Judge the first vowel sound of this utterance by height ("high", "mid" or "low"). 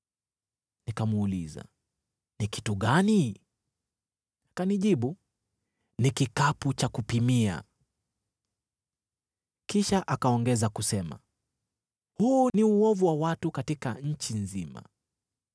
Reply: high